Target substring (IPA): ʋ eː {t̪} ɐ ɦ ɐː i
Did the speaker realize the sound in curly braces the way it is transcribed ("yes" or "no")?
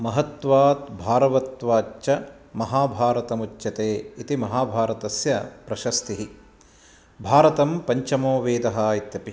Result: no